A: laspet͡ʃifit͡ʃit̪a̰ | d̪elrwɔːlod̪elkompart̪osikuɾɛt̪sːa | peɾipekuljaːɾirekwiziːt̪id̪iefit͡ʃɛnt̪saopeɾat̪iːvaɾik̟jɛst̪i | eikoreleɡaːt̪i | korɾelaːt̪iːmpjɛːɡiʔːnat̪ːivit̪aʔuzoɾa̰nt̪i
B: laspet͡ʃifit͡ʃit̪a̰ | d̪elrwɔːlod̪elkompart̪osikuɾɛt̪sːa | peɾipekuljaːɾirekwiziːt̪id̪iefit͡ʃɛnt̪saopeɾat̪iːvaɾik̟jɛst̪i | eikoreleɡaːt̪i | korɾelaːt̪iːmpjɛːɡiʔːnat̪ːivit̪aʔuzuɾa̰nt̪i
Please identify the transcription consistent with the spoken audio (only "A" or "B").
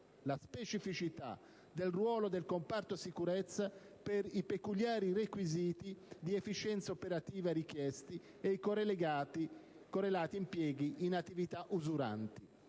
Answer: B